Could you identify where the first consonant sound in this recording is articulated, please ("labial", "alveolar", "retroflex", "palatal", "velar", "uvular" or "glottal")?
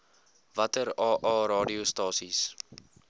labial